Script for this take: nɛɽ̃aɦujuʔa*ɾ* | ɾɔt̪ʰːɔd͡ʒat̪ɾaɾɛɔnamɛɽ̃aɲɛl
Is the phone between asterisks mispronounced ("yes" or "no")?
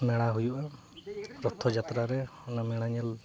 yes